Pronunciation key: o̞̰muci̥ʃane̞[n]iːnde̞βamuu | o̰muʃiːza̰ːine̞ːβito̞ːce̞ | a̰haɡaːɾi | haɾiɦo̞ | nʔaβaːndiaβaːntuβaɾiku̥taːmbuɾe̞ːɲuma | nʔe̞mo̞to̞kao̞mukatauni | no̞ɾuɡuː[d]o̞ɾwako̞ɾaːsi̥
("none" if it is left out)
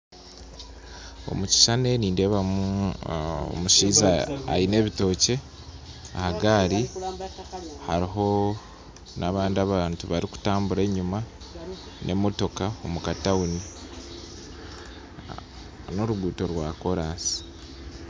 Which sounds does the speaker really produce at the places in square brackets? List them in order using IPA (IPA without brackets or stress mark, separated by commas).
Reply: n, t